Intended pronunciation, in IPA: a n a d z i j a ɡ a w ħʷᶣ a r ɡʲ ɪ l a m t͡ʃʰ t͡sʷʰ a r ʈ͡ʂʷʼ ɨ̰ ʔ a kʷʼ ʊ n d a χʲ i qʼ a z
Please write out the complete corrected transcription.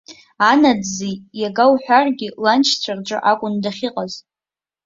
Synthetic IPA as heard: a n a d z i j a ɡ a w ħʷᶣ a r ɡʲ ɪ l a n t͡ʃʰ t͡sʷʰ a r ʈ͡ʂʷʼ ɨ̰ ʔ a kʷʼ ʊ n d a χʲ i qʼ a z